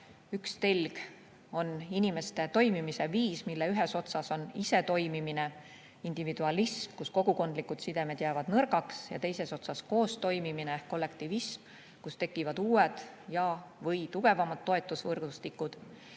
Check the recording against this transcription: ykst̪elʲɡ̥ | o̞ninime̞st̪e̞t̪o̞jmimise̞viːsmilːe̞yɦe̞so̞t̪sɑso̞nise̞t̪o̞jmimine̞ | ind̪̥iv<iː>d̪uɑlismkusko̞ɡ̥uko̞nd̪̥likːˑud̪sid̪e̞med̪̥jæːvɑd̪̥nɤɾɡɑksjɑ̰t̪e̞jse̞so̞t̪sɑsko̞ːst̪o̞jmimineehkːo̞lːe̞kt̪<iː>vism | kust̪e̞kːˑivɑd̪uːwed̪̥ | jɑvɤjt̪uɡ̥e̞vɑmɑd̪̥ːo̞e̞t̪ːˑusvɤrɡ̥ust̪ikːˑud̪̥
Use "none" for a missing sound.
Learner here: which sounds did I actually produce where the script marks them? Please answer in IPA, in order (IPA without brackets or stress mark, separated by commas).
i, i